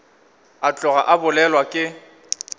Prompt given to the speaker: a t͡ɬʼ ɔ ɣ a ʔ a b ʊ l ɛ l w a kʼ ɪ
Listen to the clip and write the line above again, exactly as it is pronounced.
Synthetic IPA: a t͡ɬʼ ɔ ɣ a ʔ a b ʊ l ɛ l w a kʼ ɪ